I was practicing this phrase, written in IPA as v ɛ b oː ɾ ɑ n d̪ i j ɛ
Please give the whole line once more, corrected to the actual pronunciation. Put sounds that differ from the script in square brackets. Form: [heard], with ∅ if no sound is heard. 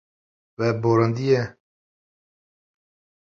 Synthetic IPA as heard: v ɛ b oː ɾ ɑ n d̪ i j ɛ